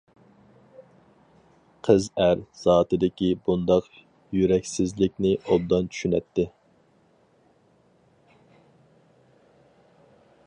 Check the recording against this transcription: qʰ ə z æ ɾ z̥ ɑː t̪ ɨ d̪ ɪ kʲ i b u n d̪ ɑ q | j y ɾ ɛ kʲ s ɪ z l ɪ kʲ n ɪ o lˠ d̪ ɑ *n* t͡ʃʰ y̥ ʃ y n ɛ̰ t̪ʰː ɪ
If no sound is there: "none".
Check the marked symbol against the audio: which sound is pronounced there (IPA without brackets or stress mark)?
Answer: n